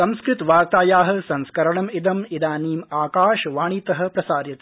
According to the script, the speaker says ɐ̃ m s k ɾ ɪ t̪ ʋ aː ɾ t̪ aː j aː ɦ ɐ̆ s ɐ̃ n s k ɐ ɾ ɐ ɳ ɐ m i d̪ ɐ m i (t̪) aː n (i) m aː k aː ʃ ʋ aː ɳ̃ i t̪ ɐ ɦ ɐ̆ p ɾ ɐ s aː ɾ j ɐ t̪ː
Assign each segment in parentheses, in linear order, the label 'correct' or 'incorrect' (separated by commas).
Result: incorrect, incorrect